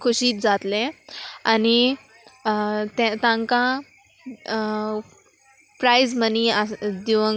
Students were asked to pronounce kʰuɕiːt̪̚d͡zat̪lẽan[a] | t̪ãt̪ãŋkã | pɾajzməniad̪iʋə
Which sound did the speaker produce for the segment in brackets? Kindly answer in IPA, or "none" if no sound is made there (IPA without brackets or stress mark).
i